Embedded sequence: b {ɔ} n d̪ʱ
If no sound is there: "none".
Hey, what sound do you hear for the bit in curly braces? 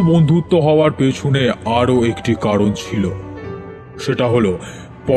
o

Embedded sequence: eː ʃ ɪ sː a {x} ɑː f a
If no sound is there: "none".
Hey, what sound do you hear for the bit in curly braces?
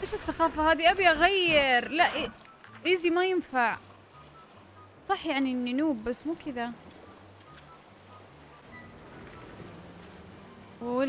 x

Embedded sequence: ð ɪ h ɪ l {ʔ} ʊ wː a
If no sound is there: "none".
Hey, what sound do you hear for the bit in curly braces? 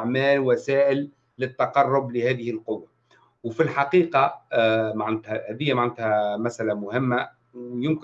q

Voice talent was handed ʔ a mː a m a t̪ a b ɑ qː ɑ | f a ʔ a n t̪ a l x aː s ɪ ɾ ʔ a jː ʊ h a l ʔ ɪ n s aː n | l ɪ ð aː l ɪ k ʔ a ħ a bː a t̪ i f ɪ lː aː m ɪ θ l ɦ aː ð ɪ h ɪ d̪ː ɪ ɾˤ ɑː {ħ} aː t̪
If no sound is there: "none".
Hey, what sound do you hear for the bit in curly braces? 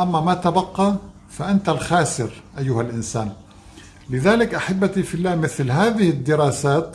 s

